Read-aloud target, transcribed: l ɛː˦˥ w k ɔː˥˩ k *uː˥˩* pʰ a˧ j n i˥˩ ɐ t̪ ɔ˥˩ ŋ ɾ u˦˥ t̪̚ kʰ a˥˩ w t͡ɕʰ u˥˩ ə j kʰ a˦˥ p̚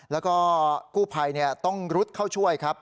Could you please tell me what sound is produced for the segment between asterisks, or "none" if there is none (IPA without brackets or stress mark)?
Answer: uː˥˩